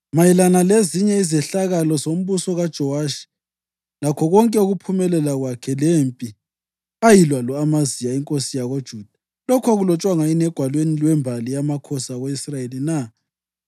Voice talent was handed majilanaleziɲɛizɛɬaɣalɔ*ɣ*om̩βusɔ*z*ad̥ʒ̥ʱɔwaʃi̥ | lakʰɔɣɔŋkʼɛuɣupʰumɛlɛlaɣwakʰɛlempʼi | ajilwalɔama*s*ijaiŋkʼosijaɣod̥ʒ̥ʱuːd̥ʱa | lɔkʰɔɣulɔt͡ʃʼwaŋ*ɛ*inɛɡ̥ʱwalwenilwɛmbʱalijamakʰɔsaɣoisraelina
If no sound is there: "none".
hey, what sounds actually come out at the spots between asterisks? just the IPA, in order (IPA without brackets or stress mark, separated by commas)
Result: z, ɣ, z, a